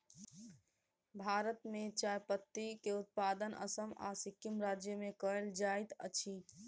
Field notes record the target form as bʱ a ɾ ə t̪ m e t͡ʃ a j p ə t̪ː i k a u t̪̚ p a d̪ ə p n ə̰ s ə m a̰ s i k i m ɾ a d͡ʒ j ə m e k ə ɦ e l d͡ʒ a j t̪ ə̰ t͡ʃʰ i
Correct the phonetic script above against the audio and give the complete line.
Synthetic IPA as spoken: bʱ a ɾ ə t̪ m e t͡ʃ a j p ə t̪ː i k e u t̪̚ p a d̪ ə n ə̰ s ə m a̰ s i k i m ɾ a d͡ʒ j ə m e k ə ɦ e l d͡ʒ a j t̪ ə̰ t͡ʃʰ i